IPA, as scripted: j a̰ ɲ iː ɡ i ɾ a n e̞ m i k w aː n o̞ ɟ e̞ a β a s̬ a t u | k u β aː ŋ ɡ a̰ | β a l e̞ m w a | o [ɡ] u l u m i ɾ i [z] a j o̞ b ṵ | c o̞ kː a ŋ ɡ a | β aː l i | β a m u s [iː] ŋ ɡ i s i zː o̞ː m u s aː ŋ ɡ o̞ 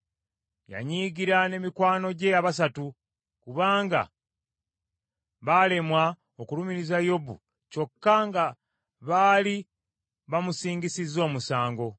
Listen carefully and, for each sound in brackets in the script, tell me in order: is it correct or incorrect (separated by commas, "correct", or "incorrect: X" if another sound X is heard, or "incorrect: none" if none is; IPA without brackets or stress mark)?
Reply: incorrect: k, correct, correct